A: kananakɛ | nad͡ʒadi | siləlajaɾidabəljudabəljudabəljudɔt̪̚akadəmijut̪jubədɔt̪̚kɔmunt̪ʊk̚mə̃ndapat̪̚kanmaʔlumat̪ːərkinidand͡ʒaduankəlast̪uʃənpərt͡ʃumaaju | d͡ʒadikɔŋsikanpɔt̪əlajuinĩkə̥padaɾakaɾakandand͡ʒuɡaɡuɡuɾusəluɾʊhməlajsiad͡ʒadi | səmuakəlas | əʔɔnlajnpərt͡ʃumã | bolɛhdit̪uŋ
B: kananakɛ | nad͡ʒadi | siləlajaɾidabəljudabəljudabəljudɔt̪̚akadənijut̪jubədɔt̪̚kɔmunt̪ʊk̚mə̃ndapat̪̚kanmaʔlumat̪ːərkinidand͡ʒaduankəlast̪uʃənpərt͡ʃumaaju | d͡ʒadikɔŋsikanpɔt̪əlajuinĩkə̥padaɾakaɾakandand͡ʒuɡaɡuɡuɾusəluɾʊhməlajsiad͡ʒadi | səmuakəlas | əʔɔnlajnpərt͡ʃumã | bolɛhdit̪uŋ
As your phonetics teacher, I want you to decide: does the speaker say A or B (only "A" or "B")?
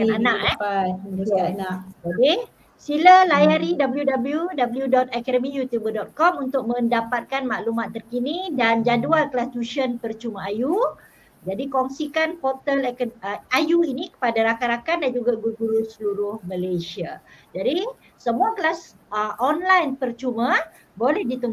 A